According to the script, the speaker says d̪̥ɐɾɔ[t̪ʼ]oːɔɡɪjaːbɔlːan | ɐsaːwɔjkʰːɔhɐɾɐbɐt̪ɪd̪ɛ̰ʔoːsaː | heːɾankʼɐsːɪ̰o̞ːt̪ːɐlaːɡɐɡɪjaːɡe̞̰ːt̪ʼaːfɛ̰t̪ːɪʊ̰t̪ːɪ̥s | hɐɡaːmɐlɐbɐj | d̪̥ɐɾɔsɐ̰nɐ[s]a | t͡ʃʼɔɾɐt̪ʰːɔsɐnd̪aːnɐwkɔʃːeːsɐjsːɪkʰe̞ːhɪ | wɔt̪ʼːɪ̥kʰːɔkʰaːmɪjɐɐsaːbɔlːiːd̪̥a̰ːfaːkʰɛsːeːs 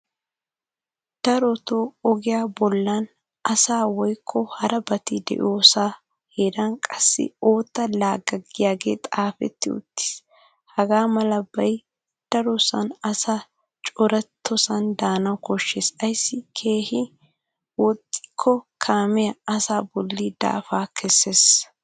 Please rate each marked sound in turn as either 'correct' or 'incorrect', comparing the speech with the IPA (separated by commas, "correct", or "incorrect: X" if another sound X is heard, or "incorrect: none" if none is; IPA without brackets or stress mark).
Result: incorrect: t̪, correct